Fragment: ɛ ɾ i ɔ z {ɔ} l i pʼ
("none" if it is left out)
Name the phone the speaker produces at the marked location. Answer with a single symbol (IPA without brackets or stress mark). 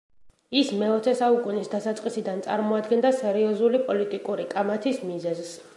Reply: u